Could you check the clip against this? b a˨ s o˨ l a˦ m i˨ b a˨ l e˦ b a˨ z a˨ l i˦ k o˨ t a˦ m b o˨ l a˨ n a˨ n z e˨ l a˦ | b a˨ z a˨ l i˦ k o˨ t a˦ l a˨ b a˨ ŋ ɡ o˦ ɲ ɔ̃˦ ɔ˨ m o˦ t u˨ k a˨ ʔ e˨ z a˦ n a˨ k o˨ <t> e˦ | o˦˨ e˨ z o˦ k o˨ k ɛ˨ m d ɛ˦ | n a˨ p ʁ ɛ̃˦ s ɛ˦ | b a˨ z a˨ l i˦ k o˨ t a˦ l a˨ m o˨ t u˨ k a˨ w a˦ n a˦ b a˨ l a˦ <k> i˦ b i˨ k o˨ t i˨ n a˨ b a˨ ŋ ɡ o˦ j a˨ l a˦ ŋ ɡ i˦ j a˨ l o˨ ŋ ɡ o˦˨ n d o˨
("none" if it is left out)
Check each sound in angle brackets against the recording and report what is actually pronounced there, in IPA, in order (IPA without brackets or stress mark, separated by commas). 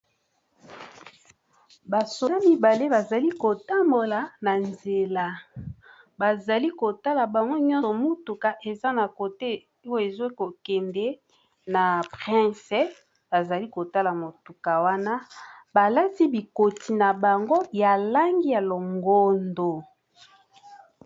t, t